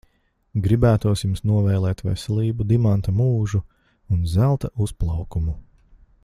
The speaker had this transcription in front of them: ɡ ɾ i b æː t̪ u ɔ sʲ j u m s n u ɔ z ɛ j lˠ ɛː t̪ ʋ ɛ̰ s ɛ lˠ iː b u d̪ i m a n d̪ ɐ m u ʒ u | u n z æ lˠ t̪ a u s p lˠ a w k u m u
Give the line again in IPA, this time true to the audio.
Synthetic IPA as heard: ɡ ɾ i b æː t̪ u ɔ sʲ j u m s n u ɔ v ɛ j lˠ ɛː t̪ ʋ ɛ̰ s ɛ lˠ iː b u d̪ i m a n t̪ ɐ m uː ʒ u | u n z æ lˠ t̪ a u s p lˠ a w k u m u